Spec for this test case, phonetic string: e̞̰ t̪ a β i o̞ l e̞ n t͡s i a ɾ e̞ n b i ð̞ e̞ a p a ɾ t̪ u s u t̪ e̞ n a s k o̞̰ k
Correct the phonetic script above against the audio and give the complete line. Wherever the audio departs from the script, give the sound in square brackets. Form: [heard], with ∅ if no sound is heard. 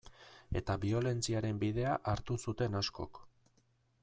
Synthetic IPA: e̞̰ t̪ a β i o̞ l e̞ n t͡s i a ɾ e̞ [m] b i ð̞ e̞ a [ʔ] a ɾ t̪ u s u t̪ e̞ n a s k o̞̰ k

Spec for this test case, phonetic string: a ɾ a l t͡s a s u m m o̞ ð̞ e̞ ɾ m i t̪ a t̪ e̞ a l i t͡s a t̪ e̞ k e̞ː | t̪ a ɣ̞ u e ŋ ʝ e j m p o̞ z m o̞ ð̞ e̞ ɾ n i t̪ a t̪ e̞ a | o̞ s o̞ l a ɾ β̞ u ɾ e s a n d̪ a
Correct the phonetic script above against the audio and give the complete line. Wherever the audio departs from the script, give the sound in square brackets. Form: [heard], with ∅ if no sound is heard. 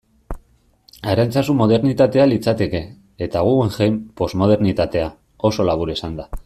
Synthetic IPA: a ɾ a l t͡s a s u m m o̞ ð̞ e̞ ɾ [n] i t̪ a t̪ e̞ a l i t͡s a t̪ e̞ k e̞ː | t̪ a ɣ̞ u e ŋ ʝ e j m p o̞ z m o̞ ð̞ e̞ ɾ n i t̪ a t̪ e̞ a | o̞ s o̞ l a [∅] β̞ u ɾ e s a n d̪ a

